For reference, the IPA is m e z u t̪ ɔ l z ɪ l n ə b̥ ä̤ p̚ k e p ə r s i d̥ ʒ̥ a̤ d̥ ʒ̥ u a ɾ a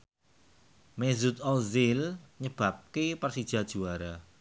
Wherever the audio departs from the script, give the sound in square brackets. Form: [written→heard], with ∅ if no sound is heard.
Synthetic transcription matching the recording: m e z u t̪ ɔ l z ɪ l [n→ɲ] ə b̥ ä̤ p̚ k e p ə r s i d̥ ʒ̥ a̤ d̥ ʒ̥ u a ɾ a